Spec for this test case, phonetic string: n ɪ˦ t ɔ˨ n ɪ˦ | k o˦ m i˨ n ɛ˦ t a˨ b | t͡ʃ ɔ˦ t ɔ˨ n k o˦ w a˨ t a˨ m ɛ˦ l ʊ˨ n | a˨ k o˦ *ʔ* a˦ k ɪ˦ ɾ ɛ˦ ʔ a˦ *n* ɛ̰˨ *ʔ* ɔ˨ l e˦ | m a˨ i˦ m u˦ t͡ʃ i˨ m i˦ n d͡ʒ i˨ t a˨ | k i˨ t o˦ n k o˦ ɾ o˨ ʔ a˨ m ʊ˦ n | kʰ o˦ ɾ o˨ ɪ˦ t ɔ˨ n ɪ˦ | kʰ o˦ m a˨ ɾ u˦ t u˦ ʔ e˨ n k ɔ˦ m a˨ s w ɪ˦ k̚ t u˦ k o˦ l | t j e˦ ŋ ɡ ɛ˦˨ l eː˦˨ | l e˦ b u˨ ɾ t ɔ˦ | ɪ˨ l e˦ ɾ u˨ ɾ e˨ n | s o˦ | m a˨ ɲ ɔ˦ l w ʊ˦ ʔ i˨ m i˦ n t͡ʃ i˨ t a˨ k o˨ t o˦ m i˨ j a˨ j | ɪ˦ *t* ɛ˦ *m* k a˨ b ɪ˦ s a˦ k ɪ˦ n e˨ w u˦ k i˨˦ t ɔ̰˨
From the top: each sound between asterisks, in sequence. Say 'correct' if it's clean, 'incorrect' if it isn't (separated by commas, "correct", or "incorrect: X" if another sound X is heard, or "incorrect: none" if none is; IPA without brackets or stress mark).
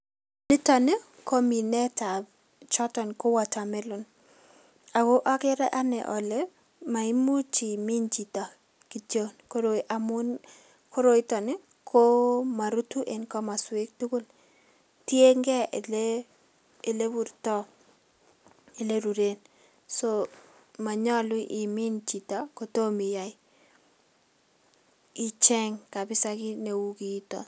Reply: correct, correct, correct, incorrect: t͡ʃ, incorrect: ŋ